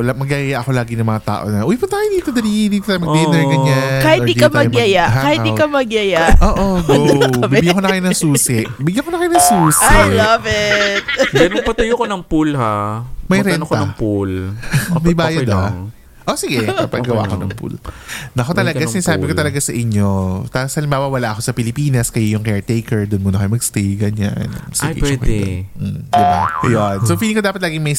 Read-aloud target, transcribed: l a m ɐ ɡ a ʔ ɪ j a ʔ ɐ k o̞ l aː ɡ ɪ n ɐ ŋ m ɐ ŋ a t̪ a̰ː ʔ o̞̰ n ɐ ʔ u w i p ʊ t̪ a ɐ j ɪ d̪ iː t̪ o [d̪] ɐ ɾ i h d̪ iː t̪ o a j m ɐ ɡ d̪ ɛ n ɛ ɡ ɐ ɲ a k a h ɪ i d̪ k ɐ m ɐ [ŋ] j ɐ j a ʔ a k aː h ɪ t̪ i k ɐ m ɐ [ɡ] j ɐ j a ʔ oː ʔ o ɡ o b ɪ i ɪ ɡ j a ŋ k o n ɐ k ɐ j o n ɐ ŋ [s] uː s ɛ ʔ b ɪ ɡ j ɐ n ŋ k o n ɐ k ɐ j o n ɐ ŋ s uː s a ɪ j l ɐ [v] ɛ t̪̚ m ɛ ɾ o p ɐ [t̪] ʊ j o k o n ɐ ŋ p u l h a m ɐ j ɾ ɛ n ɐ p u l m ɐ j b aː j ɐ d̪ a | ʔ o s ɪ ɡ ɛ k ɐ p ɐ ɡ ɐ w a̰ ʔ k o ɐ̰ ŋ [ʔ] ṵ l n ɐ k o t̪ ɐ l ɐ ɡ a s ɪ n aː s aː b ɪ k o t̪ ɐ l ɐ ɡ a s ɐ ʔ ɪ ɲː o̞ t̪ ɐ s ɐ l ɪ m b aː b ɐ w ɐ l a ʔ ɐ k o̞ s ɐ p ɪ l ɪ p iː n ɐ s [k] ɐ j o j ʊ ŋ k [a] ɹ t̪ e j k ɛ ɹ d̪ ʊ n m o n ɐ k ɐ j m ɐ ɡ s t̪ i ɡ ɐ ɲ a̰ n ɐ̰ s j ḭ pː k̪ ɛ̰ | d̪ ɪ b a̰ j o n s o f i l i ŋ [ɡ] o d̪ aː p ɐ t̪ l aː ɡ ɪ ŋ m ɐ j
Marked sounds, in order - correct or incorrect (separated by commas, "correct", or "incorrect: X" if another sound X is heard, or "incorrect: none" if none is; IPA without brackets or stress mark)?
correct, incorrect: ɡ, correct, correct, correct, correct, incorrect: p, correct, incorrect: ɛ, incorrect: k